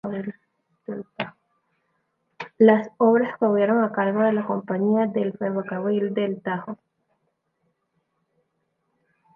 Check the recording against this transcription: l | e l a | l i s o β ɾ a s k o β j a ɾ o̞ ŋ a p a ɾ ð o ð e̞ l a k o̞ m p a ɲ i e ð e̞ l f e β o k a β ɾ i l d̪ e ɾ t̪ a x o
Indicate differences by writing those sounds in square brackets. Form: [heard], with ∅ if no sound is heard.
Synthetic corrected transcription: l | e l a | l [a] s o β ɾ a s k o β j [e] ɾ o̞ ŋ a [k] a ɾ [ɣ] o ð e̞ l a k o̞ m p a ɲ i [a] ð e̞ l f e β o k a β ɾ i l d̪ e [l] t̪ a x o